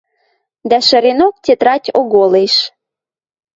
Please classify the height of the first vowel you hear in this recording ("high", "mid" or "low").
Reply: low